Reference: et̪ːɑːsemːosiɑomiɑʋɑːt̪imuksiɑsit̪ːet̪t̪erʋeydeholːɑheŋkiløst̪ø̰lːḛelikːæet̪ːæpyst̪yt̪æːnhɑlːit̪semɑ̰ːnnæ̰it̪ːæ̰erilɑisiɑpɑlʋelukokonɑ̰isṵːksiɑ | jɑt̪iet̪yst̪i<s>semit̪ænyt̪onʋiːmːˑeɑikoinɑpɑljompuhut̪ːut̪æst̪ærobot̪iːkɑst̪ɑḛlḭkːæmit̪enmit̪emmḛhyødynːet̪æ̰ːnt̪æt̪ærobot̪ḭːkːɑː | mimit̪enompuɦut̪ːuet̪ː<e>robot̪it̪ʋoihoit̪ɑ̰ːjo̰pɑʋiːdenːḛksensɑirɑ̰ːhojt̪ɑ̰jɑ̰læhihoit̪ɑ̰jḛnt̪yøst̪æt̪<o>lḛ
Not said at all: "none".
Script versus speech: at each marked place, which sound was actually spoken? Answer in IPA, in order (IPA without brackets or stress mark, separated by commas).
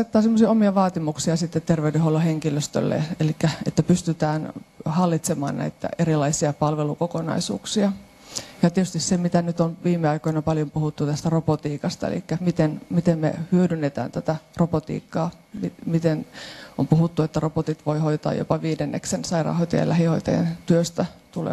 s, æ, u